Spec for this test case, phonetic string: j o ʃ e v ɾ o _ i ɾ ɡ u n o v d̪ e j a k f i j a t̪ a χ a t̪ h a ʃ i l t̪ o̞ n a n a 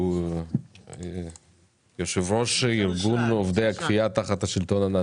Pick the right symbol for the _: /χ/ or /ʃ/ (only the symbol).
ʃ